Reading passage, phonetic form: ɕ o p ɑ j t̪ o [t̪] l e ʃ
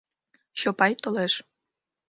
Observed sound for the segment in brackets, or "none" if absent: none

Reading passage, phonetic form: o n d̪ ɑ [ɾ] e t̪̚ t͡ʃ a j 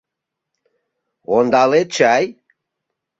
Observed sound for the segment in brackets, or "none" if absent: l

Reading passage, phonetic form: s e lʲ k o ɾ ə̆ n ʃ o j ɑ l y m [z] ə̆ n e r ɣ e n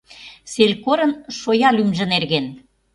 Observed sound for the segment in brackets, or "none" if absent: ʒ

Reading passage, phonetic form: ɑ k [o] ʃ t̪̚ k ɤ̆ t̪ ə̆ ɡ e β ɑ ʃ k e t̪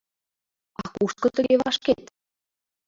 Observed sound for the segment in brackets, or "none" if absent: u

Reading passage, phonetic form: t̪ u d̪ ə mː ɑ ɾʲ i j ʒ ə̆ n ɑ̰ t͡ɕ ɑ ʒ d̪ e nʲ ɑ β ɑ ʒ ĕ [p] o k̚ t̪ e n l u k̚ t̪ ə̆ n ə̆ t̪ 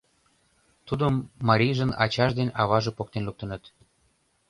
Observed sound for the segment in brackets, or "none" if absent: p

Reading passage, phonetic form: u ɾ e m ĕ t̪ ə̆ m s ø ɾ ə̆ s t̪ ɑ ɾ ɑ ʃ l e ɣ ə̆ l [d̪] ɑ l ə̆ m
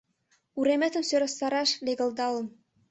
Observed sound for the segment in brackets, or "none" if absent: d̪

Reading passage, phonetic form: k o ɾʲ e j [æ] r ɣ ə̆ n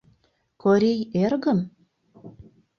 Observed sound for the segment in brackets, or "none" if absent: e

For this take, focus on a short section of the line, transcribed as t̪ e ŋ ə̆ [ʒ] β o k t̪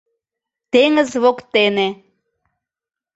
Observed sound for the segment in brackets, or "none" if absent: z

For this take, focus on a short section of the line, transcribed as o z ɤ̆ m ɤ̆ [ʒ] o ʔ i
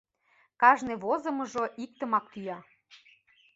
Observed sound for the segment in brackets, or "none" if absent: ʒ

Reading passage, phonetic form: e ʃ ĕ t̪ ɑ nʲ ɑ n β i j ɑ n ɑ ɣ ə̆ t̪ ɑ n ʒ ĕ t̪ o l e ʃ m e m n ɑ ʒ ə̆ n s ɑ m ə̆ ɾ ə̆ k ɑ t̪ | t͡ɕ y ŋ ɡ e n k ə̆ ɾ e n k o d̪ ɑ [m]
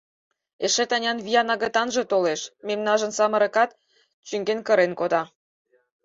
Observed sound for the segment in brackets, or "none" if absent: none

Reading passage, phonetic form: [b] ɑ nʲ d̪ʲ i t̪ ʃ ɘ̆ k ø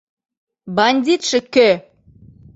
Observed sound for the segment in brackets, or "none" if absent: b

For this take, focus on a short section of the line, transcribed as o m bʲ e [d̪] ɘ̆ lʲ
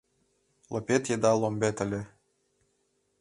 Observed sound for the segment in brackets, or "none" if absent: t̪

